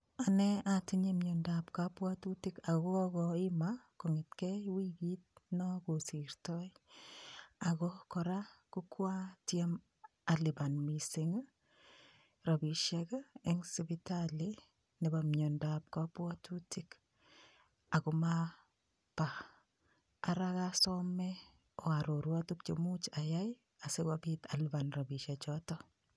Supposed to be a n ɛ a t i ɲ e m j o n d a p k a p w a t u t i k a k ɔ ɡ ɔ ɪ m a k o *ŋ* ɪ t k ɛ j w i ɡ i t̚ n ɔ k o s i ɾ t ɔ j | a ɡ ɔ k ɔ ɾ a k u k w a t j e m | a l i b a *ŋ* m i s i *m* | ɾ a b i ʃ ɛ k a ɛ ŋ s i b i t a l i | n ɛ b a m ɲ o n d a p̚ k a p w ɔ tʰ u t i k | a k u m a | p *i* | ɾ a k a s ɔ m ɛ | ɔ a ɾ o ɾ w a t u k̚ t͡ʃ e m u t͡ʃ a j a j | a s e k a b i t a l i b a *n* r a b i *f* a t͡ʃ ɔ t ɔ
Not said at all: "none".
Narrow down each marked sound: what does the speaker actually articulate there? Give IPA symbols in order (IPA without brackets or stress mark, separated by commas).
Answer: ŋ, n, ŋ, a, n, ʃ